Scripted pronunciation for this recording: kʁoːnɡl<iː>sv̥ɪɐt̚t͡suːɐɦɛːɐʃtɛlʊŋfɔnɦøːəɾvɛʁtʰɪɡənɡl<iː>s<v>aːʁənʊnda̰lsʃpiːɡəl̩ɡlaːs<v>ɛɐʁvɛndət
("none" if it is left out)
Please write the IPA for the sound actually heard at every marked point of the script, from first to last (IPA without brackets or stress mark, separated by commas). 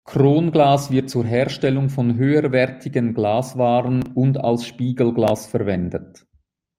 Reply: aː, aː, v, f